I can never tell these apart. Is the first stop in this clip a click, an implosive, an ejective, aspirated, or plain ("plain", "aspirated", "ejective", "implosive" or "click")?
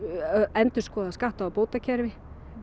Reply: plain